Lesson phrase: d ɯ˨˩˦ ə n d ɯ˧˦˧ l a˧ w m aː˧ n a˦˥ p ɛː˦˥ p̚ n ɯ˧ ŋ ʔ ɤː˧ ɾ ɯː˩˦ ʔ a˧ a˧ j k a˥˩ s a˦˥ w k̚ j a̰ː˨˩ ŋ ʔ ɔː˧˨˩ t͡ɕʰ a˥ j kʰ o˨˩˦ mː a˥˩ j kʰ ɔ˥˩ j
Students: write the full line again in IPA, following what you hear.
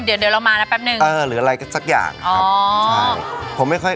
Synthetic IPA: d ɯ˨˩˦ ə n d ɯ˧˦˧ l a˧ w m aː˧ n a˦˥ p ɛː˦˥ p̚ n ɯ˨˩ ŋ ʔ ɤː˧ ɾ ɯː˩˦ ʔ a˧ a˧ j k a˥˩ s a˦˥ k̚ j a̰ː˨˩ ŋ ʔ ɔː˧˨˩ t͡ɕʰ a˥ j pʰ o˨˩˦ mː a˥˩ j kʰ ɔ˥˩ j